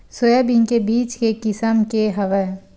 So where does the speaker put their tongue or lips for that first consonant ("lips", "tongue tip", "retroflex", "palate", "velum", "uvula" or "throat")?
tongue tip